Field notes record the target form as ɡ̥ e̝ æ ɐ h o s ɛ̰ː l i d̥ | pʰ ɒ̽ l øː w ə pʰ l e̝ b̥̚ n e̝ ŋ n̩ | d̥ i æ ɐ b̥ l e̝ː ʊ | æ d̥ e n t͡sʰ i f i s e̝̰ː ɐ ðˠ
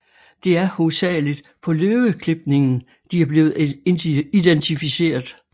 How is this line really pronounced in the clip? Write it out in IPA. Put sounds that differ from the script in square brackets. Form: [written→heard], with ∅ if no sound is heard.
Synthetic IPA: [ɡ̥→d̥] e̝ æ ɐ h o s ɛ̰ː l i d̥ | pʰ ɒ̽ l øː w ə [pʰ→kʰ] l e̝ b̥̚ n e̝ ŋ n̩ | d̥ i æ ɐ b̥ l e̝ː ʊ | [æ→i] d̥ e n t͡sʰ i f i s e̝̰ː ɐ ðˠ